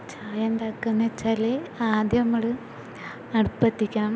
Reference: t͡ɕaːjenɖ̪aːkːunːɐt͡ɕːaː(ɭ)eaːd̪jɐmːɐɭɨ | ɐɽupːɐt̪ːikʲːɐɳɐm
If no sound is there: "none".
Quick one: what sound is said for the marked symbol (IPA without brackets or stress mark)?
l